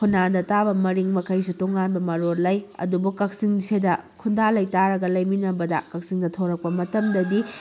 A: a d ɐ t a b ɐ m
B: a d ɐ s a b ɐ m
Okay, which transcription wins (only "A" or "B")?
A